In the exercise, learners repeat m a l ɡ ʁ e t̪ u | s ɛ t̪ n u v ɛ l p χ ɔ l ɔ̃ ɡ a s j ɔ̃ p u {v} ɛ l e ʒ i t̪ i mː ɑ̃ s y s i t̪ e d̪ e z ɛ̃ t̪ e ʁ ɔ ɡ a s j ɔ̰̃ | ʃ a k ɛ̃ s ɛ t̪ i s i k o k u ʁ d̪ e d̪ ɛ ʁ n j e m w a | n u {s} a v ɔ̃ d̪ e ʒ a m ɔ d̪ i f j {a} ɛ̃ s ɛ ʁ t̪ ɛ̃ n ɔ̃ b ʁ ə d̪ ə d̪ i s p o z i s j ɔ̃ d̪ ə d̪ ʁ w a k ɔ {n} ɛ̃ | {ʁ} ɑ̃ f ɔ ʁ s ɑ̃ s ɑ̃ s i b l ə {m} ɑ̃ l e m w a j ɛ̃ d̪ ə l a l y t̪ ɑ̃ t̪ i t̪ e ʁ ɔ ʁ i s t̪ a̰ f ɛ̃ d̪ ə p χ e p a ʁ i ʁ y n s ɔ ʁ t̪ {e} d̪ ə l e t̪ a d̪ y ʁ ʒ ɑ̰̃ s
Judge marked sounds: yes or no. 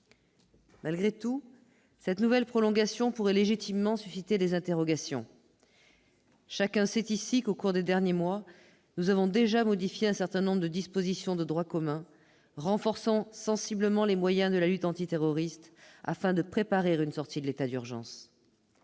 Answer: no, no, no, no, yes, yes, no

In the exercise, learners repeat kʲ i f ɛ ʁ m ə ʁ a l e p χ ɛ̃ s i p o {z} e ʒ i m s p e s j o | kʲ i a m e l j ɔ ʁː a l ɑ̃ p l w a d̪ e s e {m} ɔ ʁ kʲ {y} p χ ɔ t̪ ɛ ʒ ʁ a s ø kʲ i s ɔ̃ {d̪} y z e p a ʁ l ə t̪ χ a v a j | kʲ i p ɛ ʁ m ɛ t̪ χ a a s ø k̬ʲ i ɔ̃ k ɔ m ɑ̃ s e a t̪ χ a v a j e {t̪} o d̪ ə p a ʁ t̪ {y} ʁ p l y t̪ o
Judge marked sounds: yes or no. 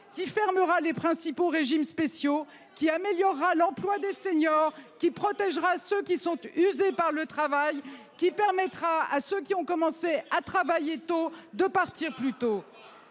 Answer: no, no, no, no, yes, no

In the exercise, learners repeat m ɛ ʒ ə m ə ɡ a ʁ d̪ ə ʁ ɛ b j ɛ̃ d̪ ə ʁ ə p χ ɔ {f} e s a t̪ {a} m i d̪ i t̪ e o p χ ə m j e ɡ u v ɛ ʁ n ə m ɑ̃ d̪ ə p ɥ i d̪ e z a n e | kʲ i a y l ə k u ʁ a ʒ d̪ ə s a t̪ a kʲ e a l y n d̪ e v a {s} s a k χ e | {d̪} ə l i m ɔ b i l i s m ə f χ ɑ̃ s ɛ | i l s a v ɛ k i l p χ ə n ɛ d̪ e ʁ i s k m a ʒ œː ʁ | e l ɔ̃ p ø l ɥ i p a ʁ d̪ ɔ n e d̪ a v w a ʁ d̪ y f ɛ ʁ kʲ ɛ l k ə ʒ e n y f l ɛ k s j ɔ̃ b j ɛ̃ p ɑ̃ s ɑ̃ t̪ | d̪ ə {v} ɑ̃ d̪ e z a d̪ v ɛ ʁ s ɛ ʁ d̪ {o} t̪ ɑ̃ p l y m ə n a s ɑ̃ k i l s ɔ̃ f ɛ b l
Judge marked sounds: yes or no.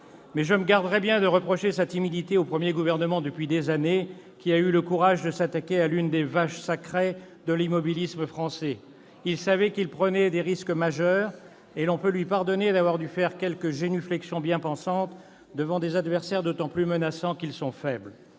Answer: no, no, no, yes, yes, yes

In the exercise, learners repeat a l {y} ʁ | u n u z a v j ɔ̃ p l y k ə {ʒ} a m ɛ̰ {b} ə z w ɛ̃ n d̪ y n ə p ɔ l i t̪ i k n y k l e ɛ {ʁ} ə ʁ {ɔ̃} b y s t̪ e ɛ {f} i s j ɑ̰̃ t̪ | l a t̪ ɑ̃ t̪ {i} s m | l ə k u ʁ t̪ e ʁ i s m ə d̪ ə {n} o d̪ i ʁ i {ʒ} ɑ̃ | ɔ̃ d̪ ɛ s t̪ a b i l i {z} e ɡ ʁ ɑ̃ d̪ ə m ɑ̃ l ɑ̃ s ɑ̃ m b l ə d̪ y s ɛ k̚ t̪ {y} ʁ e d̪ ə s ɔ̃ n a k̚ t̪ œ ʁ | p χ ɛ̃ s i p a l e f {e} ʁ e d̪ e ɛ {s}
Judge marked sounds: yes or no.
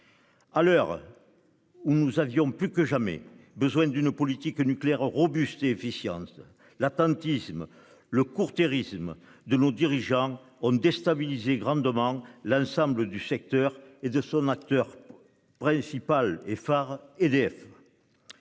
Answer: no, yes, yes, yes, no, yes, yes, yes, yes, yes, no, no, no

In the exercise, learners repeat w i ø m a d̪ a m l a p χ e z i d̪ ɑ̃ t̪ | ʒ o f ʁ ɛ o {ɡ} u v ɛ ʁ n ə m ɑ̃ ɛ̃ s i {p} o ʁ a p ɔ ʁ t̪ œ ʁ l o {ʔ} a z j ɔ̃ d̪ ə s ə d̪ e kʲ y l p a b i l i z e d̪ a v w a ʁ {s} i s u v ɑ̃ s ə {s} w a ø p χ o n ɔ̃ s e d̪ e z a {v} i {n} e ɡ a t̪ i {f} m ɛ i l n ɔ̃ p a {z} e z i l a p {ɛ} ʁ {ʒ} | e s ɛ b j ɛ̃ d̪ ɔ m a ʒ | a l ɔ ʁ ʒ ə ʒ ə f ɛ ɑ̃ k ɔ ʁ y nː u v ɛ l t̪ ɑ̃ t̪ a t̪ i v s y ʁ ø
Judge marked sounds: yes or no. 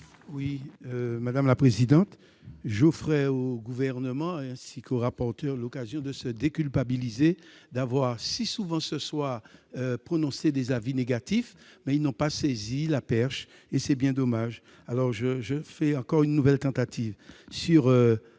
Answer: yes, no, no, yes, yes, yes, yes, yes, no, yes, no

